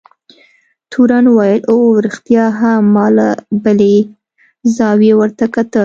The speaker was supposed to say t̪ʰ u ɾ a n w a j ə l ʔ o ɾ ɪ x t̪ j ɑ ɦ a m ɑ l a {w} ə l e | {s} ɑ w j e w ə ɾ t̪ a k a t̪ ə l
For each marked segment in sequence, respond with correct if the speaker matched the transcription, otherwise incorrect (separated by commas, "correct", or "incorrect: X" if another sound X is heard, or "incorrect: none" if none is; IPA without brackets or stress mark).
incorrect: b, incorrect: z